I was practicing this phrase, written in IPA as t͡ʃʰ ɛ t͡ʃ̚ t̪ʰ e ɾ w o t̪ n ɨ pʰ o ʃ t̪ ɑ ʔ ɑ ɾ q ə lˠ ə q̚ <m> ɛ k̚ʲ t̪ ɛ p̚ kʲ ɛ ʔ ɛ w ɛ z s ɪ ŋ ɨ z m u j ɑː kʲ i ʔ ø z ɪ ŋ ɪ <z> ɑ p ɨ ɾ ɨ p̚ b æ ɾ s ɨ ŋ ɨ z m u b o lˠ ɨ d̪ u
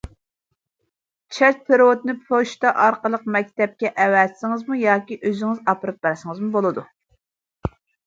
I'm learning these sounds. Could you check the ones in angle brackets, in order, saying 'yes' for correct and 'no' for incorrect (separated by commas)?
yes, yes